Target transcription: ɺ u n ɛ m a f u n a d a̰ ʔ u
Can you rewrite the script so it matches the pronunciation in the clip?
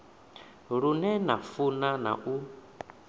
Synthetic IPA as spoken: ɺ u n ɛ n a f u n a n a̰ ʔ u